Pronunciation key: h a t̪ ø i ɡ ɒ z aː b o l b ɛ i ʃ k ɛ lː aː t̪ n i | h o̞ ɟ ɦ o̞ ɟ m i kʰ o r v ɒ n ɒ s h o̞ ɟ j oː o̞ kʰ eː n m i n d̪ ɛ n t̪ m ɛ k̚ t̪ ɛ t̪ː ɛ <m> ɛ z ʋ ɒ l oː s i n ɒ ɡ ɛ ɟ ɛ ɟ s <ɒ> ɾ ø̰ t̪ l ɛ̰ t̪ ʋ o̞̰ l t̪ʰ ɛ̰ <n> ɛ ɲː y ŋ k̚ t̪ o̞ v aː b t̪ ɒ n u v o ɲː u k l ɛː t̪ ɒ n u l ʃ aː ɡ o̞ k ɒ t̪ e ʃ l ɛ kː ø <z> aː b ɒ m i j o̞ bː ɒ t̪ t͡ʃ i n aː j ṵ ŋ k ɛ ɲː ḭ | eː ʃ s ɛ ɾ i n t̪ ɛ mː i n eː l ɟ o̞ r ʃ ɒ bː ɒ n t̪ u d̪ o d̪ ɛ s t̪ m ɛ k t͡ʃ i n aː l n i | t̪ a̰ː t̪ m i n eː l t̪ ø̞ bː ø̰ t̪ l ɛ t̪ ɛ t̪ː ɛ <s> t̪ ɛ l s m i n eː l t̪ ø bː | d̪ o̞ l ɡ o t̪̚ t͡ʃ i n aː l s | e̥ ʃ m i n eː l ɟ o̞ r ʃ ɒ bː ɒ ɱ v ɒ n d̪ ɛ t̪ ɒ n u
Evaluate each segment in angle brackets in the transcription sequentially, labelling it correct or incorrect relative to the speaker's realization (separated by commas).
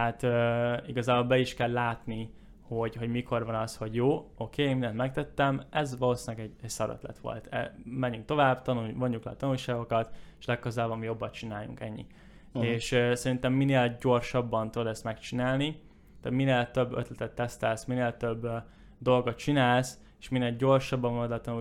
correct, correct, incorrect, correct, correct